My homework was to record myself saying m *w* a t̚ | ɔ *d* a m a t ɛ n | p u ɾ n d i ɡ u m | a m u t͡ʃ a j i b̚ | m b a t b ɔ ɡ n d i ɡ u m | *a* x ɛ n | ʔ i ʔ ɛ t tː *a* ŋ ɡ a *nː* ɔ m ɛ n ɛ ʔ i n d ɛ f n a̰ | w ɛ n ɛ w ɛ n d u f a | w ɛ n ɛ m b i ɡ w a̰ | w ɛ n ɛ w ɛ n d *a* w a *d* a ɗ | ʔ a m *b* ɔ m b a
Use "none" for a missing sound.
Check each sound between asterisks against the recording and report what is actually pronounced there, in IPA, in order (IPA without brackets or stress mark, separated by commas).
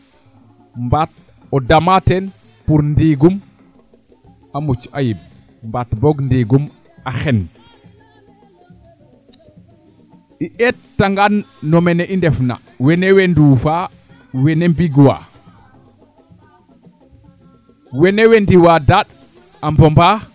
b, d, a, a, nː, i, d, b